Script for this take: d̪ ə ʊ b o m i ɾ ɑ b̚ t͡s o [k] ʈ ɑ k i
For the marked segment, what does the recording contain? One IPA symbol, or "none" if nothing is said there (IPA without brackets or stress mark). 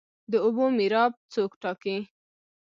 k